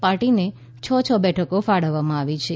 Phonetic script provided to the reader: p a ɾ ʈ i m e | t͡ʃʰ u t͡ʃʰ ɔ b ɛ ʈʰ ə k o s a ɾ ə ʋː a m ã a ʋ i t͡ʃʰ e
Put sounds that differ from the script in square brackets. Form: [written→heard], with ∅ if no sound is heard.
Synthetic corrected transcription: p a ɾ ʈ i [m→n] e | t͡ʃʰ [u→ɔ] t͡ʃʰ ɔ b ɛ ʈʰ ə k o [s→f] a [ɾ→ɽ] ə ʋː a m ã a ʋ i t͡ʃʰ e